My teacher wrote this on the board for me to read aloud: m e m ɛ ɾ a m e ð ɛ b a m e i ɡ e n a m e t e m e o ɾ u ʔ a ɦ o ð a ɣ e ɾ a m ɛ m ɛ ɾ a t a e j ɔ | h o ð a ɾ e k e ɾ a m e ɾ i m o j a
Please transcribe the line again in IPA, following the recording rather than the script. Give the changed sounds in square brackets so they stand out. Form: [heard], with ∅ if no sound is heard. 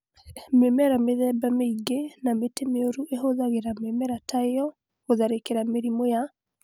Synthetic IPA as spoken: m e m ɛ ɾ a m e ð ɛ b a m e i ɡ e n a m e t e m e o ɾ u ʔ [e] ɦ o ð a ɣ e ɾ a m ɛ m ɛ ɾ a t a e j ɔ | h o ð a ɾ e k e ɾ a m e ɾ i m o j a